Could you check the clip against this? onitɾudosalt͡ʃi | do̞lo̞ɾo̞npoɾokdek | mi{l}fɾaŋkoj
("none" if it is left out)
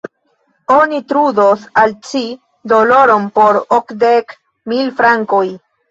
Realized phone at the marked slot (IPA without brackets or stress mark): l